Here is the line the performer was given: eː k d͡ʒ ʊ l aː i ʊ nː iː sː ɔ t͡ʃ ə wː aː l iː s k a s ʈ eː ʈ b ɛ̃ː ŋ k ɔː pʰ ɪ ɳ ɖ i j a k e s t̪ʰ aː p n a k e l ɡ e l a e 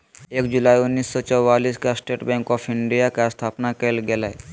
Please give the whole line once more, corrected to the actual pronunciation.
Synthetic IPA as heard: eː k d͡ʒ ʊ l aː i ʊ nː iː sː ɔ t͡ʃ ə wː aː l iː s k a s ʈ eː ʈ b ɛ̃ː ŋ k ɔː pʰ ɪ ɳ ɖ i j a k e s t̪ʰ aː p n a k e l ɡ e l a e